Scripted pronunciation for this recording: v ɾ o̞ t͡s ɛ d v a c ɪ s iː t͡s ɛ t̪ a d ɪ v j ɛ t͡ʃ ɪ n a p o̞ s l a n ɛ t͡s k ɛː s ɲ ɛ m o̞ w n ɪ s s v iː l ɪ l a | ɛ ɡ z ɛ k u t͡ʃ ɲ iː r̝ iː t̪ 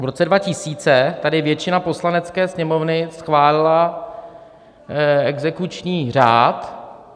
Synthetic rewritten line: v ɾ o̞ t͡s ɛ d v a c ɪ s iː t͡s ɛ t̪ a d ɪ v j ɛ t͡ʃ ɪ n a p o̞ s l a n ɛ t͡s k ɛː s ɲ ɛ m o̞ v n ɪ s x v aː l ɪ l a | ɛ ɡ z ɛ k u t͡ʃ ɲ iː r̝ aː t̪

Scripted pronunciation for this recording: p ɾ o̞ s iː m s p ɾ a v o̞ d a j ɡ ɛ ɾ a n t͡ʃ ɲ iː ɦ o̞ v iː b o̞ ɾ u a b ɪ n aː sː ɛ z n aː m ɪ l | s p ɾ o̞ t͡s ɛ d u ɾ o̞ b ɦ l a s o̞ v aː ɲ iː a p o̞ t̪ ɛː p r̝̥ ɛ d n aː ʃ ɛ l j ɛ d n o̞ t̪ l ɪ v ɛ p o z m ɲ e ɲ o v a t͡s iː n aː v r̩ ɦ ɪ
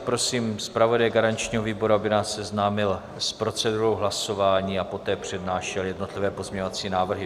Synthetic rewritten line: p ɾ o̞ s iː m s p ɾ a v o̞ d a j ɡ a ɾ a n t͡ʃ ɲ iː ɦ o̞ v iː b o̞ ɾ u a b ɪ n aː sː ɛ z n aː m ɪ l | s p ɾ o̞ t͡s ɛ d u ɾ o̞ w ɦ l a s o̞ v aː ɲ iː a p o̞ t̪ ɛː p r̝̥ ɛ d n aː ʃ ɛ l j ɛ d n o̞ t̪ l ɪ v ɛː p o z m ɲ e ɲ o v a t͡s iː n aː v r̩ ɦ ɪ

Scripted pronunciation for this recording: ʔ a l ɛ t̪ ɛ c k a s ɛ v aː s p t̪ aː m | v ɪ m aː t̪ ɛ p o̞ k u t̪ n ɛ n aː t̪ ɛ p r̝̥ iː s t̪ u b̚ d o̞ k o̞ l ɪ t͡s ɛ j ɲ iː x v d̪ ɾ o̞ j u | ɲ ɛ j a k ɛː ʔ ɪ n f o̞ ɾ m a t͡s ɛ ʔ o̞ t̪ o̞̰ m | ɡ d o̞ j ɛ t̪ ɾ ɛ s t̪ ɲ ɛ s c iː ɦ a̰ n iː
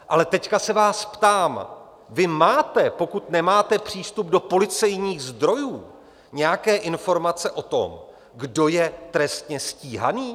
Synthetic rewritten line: ʔ a l ɛ t̪ ɛ c k a s ɛ v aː s p t̪ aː m | v ɪ m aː t̪ ɛ p o̞ k u t̪ n ɛ m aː t̪ ɛ p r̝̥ iː s t̪ u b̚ d o̞ p o̞ l ɪ t͡s ɛ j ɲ iː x z d̪ ɾ o̞ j uː | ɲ ɛ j a k ɛː ʔ ɪ n f o̞ ɾ m a t͡s ɛ ʔ o̞ t̪ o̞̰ m | ɡ d o̞ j ɛ t̪ ɾ ɛ s t̪ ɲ ɛ s c iː ɦ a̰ n iː

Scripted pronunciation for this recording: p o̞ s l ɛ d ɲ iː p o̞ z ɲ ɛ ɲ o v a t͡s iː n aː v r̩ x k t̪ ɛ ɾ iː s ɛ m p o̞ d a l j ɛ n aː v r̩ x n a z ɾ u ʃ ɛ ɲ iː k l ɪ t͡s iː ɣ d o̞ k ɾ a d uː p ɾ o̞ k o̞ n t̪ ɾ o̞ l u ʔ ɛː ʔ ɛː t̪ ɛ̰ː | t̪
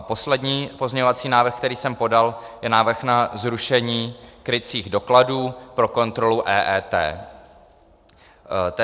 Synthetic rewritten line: p o̞ s l ɛ d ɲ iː p o̞ z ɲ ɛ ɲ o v a t͡s iː n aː v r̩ x k t̪ ɛ ɾ iː s ɛ m p o̞ d a l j ɛ n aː v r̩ x n a z ɾ u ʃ ɛ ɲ iː k ɾ ɪ t͡s iː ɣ d o̞ k l a d uː p ɾ o̞ k o̞ n t̪ ɾ o̞ l u ʔ ɛː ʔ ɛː t̪ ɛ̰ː | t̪

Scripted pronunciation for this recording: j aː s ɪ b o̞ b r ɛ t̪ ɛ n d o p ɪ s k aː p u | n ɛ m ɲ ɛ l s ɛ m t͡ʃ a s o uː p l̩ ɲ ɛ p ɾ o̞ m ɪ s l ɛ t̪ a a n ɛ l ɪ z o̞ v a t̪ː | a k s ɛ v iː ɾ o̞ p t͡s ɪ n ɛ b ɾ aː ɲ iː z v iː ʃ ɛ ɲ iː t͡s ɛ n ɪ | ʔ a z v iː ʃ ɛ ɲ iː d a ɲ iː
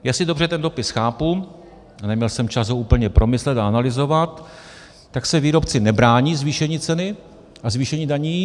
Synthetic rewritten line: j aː s ɪ d o̞ b r ɛ t̪ ɛ n d o p ɪ s x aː p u | n ɛ m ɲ ɛ l s ɛ m t͡ʃ a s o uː p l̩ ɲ ɛ p ɾ o̞ m ɪ s l ɛ t̪ a a n a l ɪ z o̞ v a t̪ː | a k s ɛ v iː ɾ o̞ p t͡s ɪ n ɛ b ɾ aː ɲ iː z v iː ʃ ɛ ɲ iː t͡s ɛ n ɪ | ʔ a z v iː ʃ ɛ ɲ iː d a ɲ iː

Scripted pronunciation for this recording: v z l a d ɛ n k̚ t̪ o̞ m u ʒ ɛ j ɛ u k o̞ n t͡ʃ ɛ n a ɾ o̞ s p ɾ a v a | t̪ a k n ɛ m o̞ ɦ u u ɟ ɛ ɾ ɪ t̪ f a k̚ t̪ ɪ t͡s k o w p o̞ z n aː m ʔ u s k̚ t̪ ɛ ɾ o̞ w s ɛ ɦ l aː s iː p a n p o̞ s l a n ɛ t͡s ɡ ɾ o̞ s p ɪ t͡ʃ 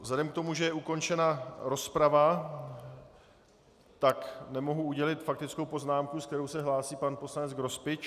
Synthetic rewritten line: v z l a d ɛ m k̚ t̪ o̞ m u ʒ ɛ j ɛ u k o̞ n t͡ʃ ɛ n a ɾ o̞ s p ɾ a v a | t̪ a k n ɛ m o̞ ɦ u u ɟ ɛ l ɪ t̪ f a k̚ t̪ ɪ t͡s k o w p o̞ z n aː m k u s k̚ t̪ ɛ ɾ o̞ w s ɛ ɦ l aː s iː p a n p o̞ s l a n ɛ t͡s ɡ ɾ o̞ s p ɪ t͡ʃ

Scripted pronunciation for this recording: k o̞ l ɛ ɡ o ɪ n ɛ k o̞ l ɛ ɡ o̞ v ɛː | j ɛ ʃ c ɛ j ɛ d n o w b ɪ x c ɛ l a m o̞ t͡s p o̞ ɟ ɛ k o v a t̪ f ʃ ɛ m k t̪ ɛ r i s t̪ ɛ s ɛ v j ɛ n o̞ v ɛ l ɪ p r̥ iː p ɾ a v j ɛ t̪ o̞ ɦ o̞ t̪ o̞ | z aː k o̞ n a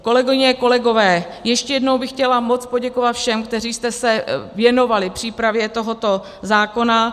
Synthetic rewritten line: k o̞ l ɛ ɡ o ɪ ɲ ɛ k o̞ l ɛ ɡ o̞ v ɛː | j ɛ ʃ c ɛ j ɛ d n o w b ɪ x c ɛ l a m o̞ t͡s p o̞ ɟ ɛ k o v a t̪ f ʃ ɛ m k t̪ ɛ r iː s t̪ ɛ s ɛ v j ɛ n o̞ v a l ɪ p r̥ iː p ɾ a v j ɛ t̪ o̞ ɦ o̞ t̪ o̞ | z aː k o̞ n a

